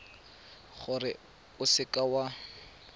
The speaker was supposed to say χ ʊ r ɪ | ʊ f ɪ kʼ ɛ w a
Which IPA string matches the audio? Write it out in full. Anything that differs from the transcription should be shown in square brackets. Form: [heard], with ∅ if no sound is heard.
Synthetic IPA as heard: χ ʊ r ɪ | ʊ [s] ɪ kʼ [a] w a